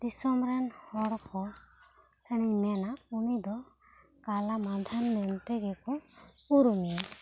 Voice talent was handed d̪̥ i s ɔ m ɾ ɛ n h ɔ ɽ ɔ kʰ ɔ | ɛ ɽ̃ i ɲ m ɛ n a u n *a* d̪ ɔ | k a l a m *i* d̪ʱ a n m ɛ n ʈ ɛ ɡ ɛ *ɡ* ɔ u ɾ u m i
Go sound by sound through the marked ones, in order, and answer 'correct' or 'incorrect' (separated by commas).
incorrect, incorrect, incorrect